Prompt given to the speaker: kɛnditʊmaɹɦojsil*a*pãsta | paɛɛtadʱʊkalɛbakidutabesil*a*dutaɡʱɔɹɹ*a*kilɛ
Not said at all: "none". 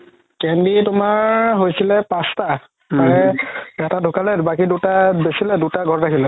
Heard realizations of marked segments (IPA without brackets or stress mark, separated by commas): ɛ, ɛ, a